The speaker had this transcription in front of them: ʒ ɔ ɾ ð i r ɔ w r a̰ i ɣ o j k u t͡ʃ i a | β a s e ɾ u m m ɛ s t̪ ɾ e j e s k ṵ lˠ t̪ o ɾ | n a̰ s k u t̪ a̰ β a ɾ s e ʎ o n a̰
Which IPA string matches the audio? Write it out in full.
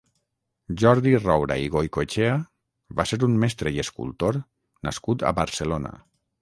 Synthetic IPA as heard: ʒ ɔ ɾ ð i r ɔ w ɾ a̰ i ɣ o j k o t͡ʃ e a | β a s e ɾ u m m ɛ s t̪ ɾ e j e s k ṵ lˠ t̪ o ɾ | n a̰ s k u t̪ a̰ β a ɾ s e l o n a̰